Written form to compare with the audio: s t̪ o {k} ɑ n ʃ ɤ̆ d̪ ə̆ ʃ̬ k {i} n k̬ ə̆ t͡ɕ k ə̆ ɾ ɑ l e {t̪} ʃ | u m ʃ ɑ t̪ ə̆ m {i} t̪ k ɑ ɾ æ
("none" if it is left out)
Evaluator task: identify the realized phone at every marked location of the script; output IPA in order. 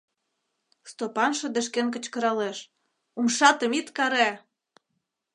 p, e, none, i

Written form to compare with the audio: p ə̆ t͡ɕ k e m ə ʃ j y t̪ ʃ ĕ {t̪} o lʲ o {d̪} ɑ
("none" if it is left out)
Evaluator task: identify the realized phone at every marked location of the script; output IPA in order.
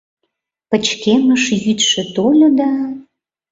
t̪, d̪

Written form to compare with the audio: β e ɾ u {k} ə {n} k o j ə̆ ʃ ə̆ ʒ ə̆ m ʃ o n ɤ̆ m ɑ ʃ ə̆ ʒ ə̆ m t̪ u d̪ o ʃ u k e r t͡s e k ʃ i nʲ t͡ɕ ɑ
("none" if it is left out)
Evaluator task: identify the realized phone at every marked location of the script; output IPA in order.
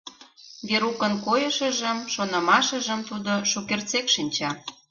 k, n

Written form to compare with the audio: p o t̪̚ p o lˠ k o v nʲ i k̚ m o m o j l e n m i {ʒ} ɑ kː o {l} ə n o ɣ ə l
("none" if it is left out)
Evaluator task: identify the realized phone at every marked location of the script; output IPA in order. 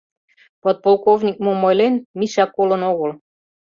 ʃ, l

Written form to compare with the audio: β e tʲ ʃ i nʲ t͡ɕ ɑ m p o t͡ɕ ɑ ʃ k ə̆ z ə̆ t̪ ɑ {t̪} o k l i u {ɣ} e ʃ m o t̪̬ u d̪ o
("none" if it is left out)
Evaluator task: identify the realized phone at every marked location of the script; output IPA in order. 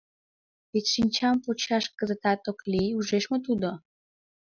t̪, ʒ

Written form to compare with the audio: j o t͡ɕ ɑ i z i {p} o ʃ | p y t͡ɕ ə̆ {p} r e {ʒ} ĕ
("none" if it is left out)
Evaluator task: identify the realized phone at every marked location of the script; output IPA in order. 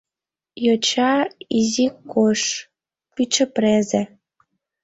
k, p, z

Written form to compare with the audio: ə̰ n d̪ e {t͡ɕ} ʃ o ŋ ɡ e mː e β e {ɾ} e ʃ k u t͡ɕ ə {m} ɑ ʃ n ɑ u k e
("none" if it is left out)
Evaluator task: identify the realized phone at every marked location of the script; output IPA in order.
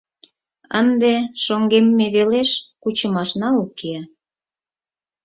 none, l, m

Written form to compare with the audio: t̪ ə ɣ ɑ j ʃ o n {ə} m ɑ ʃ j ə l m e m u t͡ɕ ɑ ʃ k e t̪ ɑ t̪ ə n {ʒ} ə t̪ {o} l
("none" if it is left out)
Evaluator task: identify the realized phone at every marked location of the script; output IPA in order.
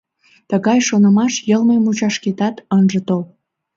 ə, ʒ, o

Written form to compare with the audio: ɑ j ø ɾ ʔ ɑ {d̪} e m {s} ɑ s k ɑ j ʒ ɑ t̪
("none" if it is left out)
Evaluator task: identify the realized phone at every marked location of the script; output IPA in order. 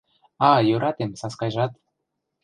t̪, s

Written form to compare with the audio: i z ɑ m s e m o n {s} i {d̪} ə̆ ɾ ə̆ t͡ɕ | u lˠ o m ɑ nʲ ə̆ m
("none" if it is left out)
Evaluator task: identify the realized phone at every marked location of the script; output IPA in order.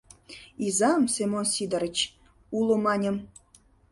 s, d̪

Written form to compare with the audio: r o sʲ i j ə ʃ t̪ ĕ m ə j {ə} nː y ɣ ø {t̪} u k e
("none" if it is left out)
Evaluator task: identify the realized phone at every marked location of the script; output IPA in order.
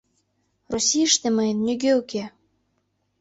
ə, none

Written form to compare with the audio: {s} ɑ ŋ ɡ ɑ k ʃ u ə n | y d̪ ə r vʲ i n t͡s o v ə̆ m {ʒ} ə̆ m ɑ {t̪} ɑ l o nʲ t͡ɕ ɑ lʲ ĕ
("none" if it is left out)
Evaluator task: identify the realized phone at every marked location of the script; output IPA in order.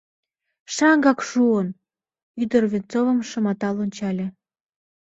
ʃ, ʃ, t̪

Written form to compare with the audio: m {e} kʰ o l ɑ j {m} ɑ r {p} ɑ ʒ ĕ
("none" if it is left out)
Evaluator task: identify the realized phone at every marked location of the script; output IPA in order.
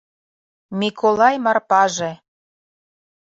i, m, p

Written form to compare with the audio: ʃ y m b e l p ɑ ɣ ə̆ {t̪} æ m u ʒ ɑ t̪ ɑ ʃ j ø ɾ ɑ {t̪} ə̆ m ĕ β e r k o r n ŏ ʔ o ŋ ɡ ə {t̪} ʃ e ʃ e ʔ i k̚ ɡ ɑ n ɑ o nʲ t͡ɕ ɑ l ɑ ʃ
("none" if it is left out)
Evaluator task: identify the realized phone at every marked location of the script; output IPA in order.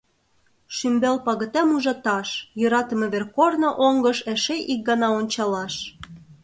t̪, t̪, none

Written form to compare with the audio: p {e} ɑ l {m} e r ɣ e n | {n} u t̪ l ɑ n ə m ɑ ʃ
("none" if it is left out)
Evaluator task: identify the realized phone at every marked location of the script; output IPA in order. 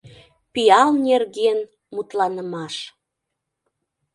i, n, m

